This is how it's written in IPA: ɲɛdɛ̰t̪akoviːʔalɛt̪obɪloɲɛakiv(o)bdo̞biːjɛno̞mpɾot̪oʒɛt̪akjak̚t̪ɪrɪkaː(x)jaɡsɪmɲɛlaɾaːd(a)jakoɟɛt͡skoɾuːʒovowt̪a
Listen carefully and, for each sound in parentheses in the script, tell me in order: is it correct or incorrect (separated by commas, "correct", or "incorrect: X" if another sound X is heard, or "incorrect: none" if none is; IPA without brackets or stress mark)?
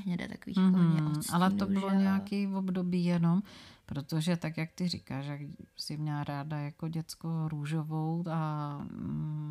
correct, incorrect: ʃ, correct